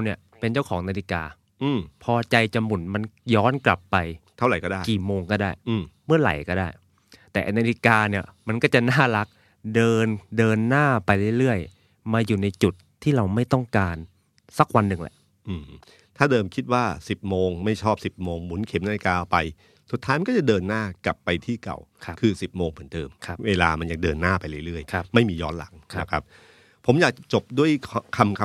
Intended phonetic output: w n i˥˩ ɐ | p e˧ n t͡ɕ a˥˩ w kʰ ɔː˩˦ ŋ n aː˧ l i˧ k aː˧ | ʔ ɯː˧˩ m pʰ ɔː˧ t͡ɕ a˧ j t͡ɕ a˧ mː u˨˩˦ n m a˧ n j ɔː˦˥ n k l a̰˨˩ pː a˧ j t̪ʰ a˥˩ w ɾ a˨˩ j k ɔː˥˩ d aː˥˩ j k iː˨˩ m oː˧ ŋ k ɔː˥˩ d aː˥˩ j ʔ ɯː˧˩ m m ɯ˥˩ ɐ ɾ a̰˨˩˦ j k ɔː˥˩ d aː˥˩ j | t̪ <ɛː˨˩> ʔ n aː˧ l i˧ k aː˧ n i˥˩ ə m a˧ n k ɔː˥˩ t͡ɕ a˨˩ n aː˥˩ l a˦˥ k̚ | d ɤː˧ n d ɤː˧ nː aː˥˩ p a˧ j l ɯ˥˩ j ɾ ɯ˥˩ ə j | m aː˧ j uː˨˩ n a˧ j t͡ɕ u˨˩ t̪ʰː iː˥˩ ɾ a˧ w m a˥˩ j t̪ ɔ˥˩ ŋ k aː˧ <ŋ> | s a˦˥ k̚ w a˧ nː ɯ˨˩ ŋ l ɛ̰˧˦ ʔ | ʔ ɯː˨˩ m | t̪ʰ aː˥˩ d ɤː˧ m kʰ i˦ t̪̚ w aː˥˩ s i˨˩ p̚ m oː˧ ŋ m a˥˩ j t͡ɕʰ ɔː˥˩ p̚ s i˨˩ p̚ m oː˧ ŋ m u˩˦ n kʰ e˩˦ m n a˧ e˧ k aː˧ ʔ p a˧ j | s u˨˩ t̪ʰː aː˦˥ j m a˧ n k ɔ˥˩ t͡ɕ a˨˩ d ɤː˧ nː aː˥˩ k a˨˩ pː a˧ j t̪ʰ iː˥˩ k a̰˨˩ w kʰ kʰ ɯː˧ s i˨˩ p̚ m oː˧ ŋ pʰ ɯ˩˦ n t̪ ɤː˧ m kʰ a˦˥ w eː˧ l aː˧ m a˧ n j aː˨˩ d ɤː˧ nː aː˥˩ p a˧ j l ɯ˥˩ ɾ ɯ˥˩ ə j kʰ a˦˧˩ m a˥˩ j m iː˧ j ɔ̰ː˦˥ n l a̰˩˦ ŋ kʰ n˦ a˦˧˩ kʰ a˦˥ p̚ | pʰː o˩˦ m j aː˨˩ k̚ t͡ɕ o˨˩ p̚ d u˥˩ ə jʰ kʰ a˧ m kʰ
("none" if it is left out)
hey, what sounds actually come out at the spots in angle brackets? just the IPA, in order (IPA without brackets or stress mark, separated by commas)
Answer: ɛː˨˩, n